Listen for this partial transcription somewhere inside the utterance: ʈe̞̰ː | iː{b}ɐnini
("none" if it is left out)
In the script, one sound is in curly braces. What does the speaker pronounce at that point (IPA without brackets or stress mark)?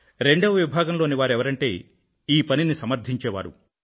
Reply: p